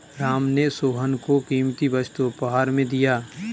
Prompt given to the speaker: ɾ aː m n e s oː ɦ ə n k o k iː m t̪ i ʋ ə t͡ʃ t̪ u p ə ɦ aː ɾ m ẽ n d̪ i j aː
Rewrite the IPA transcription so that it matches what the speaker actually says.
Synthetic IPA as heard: ɾ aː m n e s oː ɦ ə n k o k iː m t̪ i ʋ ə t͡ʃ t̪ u p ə ɦ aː ɾ m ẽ d̪ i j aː